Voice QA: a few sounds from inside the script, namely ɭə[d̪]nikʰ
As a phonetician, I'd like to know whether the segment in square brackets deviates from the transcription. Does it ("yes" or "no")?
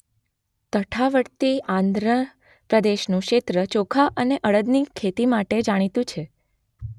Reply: no